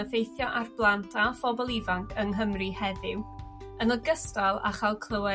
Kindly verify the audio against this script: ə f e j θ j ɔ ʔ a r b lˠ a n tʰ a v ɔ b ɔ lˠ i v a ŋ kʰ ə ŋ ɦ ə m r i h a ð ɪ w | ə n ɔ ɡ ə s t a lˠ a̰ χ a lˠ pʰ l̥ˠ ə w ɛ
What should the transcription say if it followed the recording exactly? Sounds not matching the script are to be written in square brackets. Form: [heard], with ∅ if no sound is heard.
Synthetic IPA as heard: ə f e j θ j ɔ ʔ a r b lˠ a n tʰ a [f] ɔ b ɔ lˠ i v a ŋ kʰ ə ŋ ɦ ə m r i h [ɛ] ð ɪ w | ə n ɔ ɡ ə s t a lˠ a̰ χ a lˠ [kʰ] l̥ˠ ə w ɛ